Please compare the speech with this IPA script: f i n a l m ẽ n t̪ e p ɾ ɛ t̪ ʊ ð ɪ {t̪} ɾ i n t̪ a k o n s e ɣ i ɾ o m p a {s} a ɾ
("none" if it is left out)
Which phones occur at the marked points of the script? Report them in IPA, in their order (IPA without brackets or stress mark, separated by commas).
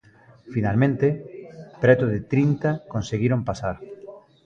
t̪, s